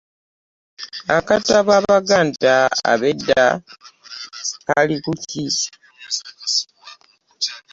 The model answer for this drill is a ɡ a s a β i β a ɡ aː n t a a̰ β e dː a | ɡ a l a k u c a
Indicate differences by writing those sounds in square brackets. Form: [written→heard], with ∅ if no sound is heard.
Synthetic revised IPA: a [ɡ→k] a [s→t] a β [i→a] β a ɡ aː n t a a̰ β e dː a | [ɡ→k] a l [a→i] k u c [a→i]